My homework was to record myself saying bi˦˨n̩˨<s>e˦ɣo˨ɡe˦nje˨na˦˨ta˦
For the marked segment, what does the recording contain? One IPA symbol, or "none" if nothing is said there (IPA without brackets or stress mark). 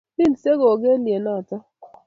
s